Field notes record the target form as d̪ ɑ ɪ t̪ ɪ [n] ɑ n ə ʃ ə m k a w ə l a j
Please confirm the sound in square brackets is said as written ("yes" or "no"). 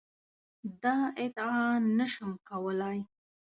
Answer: no